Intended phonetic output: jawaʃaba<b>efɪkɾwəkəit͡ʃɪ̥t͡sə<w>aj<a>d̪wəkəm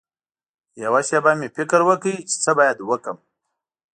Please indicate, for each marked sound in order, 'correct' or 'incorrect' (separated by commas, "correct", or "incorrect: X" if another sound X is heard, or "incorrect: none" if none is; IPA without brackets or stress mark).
incorrect: m, incorrect: b, correct